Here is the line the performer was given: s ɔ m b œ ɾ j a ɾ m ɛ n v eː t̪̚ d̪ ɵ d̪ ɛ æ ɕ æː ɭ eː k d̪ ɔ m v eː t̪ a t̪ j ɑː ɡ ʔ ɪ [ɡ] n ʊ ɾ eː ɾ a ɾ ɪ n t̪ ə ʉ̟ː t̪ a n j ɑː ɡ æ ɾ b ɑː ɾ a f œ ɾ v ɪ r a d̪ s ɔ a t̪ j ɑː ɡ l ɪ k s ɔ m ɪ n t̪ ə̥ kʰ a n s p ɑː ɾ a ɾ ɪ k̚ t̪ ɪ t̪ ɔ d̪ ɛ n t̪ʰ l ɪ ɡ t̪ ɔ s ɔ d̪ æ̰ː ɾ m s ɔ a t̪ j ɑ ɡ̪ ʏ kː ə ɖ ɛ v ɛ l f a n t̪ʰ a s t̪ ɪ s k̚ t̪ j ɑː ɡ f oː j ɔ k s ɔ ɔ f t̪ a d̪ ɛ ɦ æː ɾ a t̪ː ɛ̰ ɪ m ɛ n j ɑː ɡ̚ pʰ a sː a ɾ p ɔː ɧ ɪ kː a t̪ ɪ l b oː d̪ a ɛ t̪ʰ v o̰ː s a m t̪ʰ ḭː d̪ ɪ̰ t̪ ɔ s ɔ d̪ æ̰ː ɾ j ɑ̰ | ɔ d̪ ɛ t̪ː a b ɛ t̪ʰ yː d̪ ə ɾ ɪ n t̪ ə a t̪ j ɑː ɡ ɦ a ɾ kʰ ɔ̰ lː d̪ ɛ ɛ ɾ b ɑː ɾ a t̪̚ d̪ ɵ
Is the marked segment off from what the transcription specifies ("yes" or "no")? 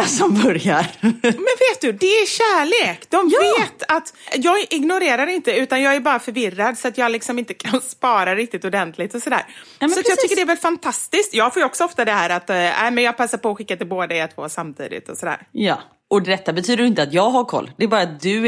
no